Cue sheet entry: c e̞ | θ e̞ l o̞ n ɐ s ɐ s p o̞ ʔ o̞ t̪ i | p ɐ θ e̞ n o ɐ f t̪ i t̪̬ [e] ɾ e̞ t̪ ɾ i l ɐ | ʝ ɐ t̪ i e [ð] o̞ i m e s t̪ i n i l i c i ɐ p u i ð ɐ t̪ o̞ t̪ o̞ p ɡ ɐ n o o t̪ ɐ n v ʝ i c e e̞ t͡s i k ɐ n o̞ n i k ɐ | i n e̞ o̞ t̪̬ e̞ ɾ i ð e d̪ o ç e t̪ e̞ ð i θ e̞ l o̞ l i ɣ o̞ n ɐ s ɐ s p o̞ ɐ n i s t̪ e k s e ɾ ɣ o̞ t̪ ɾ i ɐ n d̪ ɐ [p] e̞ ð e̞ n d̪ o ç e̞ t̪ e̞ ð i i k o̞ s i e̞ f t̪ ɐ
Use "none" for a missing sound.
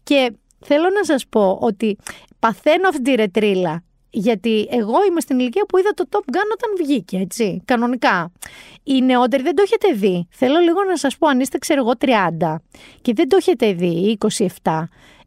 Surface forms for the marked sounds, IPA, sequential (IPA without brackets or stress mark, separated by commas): i, ɣ, c